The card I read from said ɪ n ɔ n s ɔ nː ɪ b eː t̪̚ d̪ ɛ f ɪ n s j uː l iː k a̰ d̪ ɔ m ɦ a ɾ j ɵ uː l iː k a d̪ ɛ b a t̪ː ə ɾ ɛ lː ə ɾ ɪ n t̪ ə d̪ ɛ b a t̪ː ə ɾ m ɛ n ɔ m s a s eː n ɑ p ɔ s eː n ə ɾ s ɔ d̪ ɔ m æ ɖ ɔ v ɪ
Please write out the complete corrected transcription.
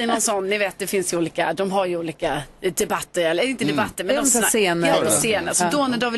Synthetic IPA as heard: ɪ n ɔ n s ɔ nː ɪ v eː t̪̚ d̪ ɛ f ɪ n s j uː l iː k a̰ d̪ ɔ m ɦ a ɾ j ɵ uː l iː k a d̪ ɛ b a t̪ː ə ɾ ɛ lː ə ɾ ɪ n t̪ ə d̪ ɛ b a t̪ː ə ɾ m ɛ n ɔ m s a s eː n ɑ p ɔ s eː n ə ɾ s ɔ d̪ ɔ n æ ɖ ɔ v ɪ